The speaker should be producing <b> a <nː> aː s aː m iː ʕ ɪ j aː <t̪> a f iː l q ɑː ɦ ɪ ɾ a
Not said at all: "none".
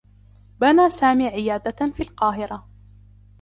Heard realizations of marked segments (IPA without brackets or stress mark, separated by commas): b, n, d̪